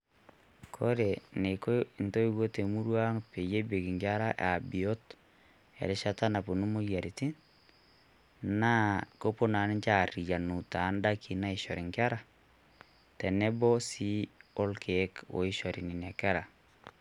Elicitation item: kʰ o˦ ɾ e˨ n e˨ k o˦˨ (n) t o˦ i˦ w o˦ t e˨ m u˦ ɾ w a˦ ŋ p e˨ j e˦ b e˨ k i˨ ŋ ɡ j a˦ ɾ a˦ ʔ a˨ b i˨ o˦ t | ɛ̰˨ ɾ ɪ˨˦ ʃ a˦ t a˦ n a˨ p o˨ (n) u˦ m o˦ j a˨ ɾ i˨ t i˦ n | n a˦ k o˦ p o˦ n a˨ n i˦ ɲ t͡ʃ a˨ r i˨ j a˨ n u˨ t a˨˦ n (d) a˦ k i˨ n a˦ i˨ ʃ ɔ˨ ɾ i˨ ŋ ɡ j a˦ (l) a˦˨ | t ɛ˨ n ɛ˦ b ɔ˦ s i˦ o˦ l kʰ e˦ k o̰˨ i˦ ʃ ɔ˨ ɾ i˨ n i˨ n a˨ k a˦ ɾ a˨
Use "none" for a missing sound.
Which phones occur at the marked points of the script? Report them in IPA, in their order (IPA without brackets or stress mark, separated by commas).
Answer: n, n, d, ɾ